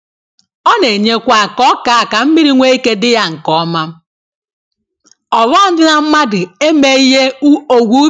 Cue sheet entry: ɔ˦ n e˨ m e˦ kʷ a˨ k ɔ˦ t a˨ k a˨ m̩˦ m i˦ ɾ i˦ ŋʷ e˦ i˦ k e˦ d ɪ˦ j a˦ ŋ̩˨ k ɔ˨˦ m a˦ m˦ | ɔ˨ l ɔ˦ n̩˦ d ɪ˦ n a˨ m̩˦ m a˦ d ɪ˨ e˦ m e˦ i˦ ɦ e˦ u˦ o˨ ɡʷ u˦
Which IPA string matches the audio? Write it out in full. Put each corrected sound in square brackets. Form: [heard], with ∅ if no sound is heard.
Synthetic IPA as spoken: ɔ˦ n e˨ [ɲ] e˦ kʷ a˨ k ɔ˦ [k] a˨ k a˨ m̩˦ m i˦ ɾ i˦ ŋʷ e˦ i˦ k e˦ d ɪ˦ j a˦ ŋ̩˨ k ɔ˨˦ m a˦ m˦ | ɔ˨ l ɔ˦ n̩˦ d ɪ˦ n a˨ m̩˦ m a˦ d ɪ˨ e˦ m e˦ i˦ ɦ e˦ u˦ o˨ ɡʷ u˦